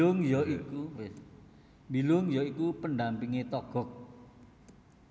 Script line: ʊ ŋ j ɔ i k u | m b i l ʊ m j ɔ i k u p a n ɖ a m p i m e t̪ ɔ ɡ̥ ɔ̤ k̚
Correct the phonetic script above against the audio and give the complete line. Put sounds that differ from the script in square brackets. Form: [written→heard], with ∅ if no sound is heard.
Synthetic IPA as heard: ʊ ŋ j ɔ i k u | m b i l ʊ [m→ŋ] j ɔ i k u p [a→ə] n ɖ a m p i [m→ŋ] e t̪ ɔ ɡ̥ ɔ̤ k̚